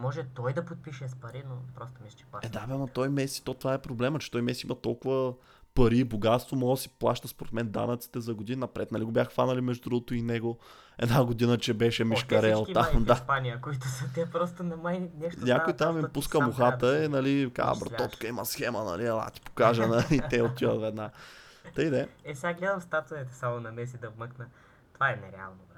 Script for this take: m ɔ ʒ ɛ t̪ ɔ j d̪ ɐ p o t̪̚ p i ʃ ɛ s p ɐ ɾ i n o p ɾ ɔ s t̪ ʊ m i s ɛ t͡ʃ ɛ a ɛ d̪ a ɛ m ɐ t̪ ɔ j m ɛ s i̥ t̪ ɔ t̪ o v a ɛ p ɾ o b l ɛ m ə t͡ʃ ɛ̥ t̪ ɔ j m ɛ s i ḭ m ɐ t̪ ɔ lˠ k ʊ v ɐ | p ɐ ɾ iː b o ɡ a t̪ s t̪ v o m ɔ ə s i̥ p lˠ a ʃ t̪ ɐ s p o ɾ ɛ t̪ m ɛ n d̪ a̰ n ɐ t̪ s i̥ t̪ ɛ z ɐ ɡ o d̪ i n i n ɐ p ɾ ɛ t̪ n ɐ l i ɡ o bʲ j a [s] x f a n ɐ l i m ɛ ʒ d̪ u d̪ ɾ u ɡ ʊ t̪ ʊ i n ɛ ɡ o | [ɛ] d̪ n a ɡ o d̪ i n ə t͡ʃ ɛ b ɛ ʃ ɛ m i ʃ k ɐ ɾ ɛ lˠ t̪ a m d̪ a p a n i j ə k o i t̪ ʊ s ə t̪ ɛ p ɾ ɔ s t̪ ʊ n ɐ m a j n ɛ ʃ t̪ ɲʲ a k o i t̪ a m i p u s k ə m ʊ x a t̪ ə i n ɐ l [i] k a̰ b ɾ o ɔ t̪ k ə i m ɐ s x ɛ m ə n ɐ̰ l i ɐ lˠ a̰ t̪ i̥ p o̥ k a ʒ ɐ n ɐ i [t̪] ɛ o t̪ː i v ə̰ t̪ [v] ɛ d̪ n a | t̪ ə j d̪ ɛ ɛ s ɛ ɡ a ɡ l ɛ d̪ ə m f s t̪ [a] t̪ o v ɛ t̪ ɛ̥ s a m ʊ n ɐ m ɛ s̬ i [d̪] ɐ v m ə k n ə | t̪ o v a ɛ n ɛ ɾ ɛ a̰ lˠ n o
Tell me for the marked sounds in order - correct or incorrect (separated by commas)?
incorrect, correct, correct, correct, correct, correct, correct